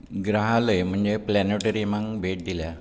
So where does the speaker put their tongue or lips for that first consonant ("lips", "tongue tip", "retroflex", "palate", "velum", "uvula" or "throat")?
velum